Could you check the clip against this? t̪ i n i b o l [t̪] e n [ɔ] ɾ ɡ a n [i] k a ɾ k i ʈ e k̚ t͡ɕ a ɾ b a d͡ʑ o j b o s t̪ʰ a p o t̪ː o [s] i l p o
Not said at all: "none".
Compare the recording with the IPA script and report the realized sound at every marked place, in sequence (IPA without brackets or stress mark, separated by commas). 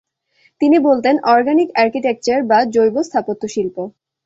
t̪, ɔ, i, ʃ